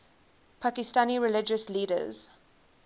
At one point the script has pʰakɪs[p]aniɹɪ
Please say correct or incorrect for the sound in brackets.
incorrect